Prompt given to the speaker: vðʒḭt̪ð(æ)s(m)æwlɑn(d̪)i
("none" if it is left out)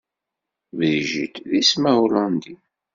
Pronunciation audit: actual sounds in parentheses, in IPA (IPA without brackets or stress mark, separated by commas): i, m, d̪